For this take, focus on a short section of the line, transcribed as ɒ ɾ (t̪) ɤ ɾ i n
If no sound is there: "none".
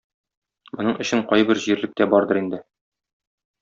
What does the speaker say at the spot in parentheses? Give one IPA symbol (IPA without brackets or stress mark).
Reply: d̪